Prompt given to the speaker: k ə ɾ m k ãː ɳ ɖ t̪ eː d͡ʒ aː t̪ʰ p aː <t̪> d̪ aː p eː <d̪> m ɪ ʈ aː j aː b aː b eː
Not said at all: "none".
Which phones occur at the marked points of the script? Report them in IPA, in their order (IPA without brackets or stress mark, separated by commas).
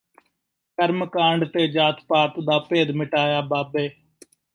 t̪, d̪